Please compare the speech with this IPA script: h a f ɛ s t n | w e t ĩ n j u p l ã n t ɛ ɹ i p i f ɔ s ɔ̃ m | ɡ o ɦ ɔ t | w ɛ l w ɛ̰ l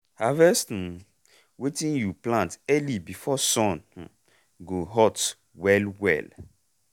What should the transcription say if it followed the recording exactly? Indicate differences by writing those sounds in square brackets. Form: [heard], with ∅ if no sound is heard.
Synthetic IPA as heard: h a [v] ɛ s t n | w e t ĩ n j u p l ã n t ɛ [l] i [b] i f ɔ s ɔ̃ [n] | ɡ o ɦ ɔ t | w ɛ l w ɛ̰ l